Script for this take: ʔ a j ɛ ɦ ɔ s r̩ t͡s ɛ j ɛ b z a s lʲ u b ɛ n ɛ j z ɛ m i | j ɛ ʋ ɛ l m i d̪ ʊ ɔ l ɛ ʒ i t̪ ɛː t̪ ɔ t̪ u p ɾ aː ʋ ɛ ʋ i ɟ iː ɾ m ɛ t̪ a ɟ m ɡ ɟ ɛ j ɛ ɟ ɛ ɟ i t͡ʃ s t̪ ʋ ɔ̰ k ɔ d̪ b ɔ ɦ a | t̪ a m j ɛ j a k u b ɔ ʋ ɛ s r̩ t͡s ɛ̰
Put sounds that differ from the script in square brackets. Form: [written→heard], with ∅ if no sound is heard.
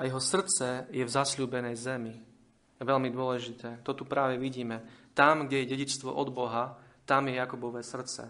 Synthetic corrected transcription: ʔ a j ɛ ɦ ɔ s r̩ t͡s ɛ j ɛ [b→v] z a s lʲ [u→uː] b ɛ n ɛ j z ɛ m i | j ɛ ʋ ɛ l m i d̪ ʊ ɔ l ɛ ʒ i t̪ ɛː t̪ ɔ t̪ u p ɾ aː ʋ ɛ ʋ i ɟ iː [ɾ→∅] m ɛ t̪ a [ɟ→∅] m ɡ ɟ ɛ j ɛ ɟ ɛ ɟ i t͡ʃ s t̪ ʋ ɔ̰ [k→ʔ] ɔ d̪ b ɔ ɦ a | t̪ a m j ɛ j a k u b ɔ ʋ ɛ s r̩ t͡s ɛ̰